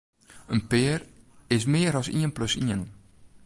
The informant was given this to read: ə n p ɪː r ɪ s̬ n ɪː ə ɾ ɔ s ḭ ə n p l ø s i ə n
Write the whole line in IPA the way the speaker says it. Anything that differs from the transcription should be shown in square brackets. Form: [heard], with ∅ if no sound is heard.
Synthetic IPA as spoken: ə n p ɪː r ɪ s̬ [m] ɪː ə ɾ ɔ s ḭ ə n p l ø s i ə n